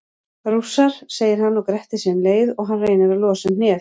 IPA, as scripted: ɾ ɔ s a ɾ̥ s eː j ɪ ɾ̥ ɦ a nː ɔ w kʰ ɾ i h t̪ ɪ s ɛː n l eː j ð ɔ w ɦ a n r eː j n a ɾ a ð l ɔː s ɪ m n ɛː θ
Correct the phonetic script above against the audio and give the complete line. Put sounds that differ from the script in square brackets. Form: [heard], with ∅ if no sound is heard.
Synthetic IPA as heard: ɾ [u] s a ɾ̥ s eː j ɪ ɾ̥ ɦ a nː ɔ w [k] ɾ [ɛ] h t̪ ɪ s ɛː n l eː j ð ɔ [ɣ] ɦ a n r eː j n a ɾ a ð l ɔː s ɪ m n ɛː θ